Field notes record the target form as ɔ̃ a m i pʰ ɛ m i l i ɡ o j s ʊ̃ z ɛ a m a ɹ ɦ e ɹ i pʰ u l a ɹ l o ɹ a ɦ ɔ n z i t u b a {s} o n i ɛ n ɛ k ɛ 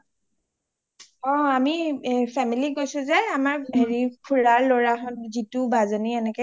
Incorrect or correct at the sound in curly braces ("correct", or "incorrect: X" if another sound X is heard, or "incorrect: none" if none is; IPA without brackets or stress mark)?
incorrect: z